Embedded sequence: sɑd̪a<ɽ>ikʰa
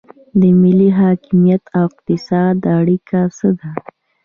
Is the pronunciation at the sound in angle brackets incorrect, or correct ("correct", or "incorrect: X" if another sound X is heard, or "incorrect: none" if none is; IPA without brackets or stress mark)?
correct